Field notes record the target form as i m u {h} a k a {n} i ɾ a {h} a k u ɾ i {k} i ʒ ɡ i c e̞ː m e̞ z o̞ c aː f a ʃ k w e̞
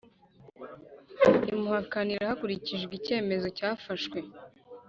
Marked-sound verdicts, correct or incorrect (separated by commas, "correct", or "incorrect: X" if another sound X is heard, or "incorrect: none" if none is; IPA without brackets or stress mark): correct, correct, correct, incorrect: c